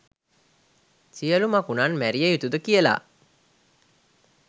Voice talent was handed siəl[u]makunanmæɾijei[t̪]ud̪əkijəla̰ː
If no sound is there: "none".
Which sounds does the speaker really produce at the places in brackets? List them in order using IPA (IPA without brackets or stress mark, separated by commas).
u, t̪